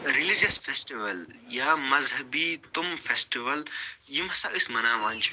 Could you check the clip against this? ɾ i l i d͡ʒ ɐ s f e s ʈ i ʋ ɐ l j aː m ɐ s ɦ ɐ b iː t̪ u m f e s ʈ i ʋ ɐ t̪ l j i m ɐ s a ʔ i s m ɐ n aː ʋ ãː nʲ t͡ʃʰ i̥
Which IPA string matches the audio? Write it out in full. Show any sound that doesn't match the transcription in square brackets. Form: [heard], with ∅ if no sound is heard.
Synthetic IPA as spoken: ɾ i l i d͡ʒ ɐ s f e s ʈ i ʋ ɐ l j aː m ɐ [z] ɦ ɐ b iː t̪ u m f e s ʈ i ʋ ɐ [∅] l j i m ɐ s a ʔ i s m ɐ n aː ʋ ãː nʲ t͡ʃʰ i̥